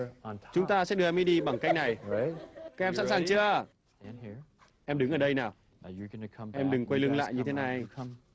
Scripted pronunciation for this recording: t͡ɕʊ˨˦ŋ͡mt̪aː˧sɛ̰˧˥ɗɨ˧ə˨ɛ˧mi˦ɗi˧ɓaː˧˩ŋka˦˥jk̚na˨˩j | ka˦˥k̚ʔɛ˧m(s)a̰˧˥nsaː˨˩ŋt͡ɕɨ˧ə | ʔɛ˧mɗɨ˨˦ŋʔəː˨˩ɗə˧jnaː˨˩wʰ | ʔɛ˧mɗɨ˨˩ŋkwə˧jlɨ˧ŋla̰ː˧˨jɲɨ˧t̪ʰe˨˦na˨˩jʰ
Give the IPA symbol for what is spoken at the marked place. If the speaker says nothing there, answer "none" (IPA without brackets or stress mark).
s